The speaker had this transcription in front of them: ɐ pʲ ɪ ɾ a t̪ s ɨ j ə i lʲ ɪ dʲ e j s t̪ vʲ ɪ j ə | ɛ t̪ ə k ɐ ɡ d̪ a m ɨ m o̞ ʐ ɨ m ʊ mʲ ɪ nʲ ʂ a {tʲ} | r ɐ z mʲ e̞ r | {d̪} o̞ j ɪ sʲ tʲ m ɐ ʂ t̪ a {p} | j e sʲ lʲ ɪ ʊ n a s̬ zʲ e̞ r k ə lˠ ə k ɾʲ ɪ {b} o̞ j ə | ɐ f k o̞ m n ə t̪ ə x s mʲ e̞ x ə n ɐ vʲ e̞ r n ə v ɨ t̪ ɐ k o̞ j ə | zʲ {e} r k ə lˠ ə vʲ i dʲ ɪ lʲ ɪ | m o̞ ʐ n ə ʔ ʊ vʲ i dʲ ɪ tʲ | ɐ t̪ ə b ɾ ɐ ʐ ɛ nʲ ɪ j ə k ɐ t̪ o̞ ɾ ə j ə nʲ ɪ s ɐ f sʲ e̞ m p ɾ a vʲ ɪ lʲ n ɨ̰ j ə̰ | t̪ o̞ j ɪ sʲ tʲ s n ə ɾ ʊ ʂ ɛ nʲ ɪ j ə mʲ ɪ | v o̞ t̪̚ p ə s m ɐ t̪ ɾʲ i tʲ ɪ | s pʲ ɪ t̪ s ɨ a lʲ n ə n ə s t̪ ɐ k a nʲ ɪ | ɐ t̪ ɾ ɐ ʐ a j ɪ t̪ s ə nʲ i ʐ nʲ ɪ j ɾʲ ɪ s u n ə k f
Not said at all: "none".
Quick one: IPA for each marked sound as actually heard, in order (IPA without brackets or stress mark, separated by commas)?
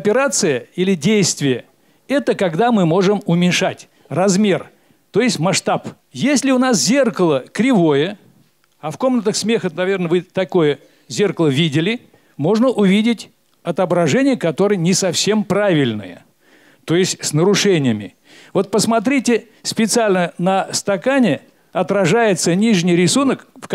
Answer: tʲ, t̪, p, v, e